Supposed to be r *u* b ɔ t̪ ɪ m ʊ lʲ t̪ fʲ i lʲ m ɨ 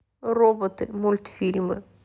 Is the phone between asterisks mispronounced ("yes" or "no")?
yes